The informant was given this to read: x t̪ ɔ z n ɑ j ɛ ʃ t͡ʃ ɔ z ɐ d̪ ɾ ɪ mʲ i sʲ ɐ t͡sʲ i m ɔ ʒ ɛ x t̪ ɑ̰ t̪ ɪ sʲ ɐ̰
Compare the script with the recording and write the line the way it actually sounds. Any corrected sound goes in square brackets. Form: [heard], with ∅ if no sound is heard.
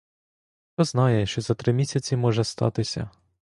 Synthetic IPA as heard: x t̪ ɔ z n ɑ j ɛ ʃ t͡ʃ ɔ z ɐ [t̪] ɾ ɪ mʲ i sʲ ɐ t͡sʲ i m ɔ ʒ ɛ [s] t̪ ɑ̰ t̪ ɪ sʲ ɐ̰